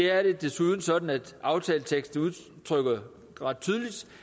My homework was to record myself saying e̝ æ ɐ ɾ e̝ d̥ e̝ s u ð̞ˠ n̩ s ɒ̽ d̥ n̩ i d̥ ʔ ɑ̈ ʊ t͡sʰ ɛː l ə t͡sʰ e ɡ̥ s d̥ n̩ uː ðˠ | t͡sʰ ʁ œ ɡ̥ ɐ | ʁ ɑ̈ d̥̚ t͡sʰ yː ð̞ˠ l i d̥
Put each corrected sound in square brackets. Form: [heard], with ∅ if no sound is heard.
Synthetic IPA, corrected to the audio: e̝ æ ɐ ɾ e̝ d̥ e̝ s u ð̞ˠ n̩ s ɒ̽ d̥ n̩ [æ] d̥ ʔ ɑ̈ ʊ t͡sʰ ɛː l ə t͡sʰ e ɡ̥ s d̥ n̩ [u] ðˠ | t͡sʰ ʁ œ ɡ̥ ɐ | ʁ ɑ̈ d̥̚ t͡sʰ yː ð̞ˠ l i d̥